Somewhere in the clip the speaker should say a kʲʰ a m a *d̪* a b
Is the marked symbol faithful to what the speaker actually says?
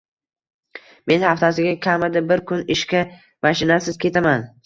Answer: yes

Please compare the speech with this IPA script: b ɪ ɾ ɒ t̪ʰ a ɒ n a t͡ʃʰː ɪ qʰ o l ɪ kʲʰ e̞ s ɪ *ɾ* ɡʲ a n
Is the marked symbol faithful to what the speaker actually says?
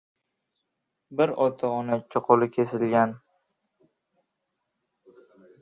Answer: no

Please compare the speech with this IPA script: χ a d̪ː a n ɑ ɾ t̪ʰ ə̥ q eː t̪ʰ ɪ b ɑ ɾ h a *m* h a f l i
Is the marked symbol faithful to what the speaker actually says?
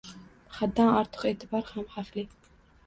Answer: yes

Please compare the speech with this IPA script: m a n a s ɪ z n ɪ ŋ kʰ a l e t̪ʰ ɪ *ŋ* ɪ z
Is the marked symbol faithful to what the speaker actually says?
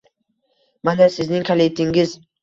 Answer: yes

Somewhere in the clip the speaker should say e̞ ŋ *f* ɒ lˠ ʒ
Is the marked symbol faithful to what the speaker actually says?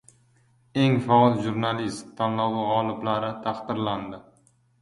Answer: yes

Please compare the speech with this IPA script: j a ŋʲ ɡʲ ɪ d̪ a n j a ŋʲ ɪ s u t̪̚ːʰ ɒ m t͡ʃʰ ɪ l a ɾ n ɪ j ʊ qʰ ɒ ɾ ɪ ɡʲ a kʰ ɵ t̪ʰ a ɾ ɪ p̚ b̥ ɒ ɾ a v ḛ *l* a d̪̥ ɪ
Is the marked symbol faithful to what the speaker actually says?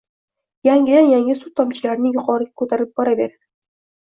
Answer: no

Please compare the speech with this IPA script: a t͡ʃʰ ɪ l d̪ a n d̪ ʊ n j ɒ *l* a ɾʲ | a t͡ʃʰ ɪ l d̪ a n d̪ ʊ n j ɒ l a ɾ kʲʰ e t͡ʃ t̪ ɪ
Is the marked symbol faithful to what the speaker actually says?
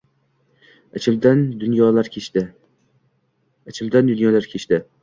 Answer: yes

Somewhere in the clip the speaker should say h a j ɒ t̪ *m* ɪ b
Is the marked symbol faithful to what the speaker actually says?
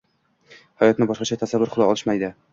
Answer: no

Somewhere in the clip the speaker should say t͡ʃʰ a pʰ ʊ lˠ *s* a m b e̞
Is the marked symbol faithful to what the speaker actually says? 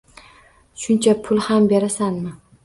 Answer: no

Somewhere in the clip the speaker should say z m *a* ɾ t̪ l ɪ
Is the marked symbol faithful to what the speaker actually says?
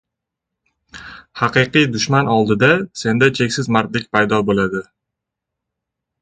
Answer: yes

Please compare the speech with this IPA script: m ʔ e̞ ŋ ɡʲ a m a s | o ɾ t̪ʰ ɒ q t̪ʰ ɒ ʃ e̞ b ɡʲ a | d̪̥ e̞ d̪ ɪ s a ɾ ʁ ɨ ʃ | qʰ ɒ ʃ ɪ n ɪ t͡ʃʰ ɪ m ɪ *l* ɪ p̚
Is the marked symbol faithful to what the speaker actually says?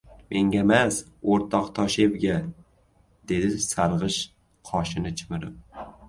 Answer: no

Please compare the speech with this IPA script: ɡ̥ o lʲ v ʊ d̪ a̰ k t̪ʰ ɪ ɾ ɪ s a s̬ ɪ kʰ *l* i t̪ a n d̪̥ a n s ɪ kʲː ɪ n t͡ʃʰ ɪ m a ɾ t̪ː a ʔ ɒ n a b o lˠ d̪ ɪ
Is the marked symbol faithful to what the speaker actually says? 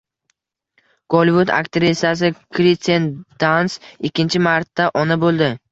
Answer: no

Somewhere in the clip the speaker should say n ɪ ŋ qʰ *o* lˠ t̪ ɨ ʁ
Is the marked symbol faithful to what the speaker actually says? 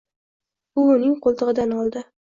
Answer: yes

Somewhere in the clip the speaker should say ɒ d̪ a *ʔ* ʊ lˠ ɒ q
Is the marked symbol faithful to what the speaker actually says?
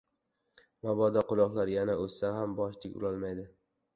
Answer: no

